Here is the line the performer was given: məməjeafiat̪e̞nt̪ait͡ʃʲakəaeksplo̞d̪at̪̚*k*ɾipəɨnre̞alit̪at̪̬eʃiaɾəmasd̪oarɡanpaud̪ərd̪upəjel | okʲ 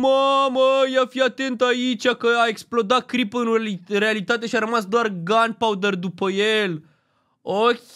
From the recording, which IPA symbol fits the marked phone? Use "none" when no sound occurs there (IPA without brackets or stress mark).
k